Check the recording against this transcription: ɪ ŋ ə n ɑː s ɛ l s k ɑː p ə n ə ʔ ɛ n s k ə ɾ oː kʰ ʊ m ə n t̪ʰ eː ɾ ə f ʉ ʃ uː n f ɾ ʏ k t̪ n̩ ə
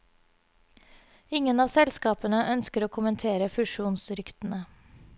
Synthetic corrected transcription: ɪ ŋ ə n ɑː s ɛ l s k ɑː p ə n ə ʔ œ n s k ə ɾ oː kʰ ʊ m ə n t̪ʰ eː ɾ ə f ʉ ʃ uː n s ɾ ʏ k t̪ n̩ ə